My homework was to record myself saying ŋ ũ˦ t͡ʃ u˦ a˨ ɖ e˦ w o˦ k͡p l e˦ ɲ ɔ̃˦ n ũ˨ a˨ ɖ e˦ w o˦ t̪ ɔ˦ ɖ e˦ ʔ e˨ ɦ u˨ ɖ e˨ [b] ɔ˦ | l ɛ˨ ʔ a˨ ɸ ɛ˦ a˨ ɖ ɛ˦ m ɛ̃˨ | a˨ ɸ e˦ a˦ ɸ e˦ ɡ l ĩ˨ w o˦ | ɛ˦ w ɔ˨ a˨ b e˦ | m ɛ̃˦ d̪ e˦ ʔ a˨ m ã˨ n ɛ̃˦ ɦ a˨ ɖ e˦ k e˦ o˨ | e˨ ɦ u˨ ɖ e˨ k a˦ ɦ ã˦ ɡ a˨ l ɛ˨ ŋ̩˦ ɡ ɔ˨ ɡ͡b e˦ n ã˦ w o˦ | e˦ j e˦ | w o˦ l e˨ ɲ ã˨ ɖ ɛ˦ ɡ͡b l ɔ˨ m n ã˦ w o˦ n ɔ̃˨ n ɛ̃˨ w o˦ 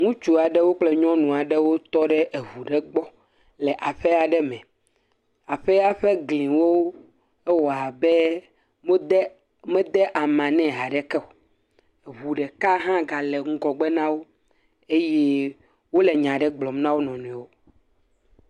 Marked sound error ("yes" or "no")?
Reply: yes